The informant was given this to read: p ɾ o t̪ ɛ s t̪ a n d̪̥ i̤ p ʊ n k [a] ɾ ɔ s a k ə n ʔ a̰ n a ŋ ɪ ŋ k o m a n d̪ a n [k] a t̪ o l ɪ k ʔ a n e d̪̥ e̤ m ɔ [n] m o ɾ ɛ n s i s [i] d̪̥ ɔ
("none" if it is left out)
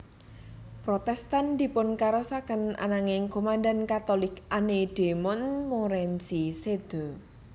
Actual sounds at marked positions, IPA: a, k, n, e

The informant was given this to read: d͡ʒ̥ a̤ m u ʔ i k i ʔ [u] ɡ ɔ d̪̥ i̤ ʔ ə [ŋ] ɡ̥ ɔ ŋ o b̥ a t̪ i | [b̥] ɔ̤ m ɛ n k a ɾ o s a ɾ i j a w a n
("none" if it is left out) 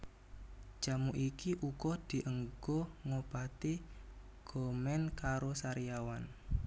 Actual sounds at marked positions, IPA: u, ŋ, ɡ̥

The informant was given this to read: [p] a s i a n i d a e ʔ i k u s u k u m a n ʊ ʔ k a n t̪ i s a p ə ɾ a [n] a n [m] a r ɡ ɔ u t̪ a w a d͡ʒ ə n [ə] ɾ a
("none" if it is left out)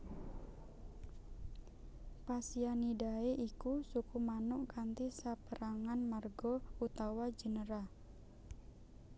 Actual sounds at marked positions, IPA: p, ŋ, m, ə

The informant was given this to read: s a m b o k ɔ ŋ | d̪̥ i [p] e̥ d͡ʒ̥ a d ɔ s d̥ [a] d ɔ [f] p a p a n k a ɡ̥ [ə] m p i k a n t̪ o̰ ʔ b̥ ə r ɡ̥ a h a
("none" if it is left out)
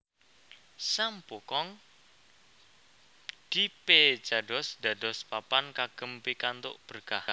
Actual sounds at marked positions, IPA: p, a, s, ə

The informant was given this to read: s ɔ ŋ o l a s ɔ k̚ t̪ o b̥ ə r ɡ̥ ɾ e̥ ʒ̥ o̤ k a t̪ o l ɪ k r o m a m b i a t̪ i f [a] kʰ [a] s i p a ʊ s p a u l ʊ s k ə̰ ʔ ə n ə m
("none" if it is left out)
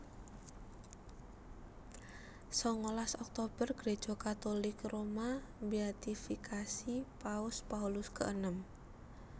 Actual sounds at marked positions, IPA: i, a

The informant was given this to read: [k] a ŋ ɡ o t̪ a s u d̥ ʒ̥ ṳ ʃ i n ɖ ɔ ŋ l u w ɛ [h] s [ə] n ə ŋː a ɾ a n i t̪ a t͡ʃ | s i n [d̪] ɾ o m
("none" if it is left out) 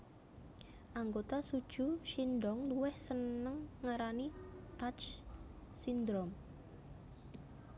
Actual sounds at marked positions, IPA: ʔ, h, ə, d̪

